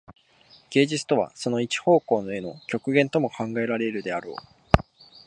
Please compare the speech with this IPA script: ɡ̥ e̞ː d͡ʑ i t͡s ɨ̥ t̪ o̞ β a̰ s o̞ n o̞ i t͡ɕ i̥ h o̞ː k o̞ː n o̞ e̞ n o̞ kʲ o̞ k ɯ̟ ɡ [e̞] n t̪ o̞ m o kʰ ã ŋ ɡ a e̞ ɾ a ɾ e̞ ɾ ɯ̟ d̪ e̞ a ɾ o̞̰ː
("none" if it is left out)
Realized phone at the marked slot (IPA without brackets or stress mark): ẽ̞